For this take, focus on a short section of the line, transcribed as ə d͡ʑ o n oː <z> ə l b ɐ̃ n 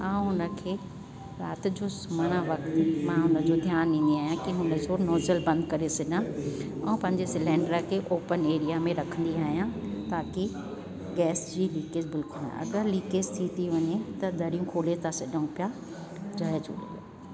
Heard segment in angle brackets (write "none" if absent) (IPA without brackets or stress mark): z